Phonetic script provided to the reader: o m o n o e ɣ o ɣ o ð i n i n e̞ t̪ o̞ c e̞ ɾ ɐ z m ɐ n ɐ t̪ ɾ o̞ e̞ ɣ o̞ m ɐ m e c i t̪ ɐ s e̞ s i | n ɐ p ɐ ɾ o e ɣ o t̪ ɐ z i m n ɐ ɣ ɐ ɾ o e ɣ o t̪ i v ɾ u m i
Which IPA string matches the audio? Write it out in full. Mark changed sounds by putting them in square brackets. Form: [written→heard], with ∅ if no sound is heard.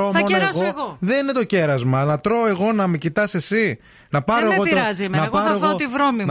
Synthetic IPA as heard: o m o n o e ɣ o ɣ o ð [i→e] n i n e̞ t̪ o̞ c e̞ ɾ ɐ z m ɐ n ɐ t̪ ɾ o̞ e̞ ɣ o̞ [m→n] ɐ m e c i t̪ ɐ s e̞ s i | n ɐ p ɐ ɾ o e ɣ o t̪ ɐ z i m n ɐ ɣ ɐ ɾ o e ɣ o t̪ i v ɾ [u→o] m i